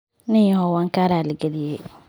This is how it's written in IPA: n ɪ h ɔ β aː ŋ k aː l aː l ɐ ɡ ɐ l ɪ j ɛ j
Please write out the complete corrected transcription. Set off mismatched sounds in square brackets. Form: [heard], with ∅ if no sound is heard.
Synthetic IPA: n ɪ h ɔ [w] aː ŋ k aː [ɾ] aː l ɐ ɡ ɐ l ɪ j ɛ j